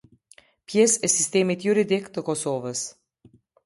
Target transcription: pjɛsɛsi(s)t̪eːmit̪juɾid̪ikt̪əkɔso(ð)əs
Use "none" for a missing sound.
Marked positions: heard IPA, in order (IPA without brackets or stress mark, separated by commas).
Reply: s, v